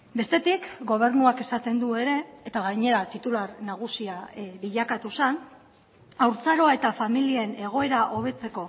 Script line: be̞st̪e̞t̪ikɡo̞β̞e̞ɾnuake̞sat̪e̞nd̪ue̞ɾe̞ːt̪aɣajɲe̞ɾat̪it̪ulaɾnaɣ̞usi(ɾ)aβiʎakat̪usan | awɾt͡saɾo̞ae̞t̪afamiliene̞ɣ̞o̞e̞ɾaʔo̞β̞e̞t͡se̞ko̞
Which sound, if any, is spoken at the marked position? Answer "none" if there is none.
none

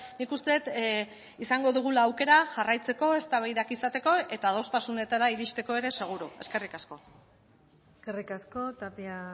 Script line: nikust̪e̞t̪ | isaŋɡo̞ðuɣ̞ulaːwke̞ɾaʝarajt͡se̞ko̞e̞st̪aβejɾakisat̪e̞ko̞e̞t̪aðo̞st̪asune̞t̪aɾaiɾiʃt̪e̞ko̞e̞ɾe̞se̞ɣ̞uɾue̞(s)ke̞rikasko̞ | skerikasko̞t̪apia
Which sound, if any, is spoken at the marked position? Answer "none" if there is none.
s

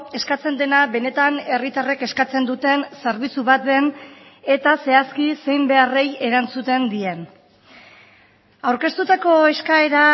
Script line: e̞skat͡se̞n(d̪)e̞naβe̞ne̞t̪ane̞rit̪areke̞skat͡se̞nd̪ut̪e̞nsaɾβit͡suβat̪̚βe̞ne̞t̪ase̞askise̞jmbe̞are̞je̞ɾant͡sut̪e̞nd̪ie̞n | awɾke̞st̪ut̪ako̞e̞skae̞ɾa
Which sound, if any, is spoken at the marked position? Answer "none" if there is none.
d̪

